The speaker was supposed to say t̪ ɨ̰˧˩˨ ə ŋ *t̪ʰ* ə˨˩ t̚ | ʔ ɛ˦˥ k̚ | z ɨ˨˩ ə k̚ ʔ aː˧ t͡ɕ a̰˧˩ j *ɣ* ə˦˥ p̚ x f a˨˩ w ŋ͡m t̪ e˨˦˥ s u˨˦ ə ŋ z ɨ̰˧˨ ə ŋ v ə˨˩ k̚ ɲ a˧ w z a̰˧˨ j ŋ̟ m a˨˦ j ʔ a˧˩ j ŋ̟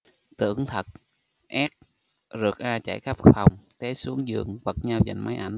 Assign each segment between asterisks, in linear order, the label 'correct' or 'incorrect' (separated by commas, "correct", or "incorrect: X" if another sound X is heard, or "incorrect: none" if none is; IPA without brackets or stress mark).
correct, incorrect: x